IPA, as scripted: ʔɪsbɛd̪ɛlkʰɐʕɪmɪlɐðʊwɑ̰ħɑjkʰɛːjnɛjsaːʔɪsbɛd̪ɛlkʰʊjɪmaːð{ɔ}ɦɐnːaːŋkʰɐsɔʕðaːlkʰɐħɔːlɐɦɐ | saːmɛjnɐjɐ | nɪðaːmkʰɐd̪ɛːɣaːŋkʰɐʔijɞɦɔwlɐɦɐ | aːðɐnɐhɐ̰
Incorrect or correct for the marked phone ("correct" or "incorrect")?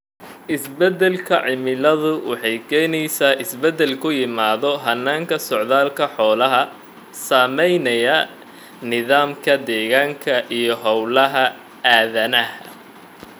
correct